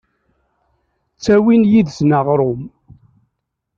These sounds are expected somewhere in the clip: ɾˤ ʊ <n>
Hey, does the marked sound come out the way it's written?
no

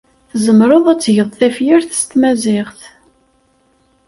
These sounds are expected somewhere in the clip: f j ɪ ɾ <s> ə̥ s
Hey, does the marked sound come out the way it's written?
no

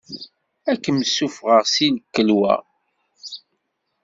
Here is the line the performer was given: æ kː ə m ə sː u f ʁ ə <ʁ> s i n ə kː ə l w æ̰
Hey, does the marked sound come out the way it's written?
yes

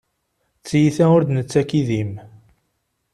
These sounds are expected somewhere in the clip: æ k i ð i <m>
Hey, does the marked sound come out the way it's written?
yes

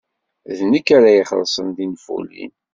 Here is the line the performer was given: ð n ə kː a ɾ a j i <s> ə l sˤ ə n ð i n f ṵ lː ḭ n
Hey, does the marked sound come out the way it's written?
no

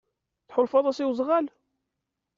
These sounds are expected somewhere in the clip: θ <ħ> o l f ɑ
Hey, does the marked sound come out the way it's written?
yes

